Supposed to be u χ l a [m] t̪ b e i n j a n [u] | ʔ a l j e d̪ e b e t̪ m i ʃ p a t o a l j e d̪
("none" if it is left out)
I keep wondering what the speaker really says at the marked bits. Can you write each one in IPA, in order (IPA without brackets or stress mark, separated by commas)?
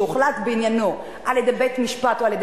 none, o